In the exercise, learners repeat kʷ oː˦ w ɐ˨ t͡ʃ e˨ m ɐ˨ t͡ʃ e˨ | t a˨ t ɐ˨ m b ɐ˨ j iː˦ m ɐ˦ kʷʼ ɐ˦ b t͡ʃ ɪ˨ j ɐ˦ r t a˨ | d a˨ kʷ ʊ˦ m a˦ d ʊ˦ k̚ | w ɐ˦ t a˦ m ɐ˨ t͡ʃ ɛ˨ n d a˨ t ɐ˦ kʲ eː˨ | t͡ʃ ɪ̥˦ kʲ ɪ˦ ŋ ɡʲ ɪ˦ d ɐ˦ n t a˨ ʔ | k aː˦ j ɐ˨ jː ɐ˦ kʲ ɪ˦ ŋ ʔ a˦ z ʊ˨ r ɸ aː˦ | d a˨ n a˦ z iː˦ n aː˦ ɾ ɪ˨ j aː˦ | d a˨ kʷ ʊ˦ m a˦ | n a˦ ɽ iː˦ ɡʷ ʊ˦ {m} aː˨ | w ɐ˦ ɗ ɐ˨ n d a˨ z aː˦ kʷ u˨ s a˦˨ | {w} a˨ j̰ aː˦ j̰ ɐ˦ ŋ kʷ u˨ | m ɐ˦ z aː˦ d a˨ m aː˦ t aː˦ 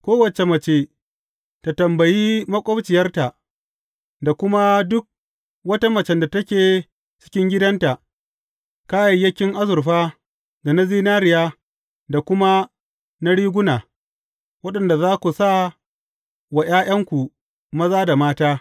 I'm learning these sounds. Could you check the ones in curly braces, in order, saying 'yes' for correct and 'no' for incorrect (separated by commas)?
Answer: no, yes